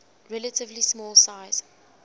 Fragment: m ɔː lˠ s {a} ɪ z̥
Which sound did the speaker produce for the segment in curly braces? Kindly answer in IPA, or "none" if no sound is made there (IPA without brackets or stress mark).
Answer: a